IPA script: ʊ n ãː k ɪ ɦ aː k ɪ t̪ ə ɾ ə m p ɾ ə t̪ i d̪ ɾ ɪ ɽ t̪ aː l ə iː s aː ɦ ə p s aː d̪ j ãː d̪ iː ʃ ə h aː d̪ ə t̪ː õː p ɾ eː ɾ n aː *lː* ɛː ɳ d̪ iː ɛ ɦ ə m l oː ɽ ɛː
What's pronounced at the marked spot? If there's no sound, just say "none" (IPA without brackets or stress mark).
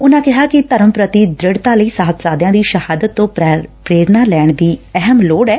l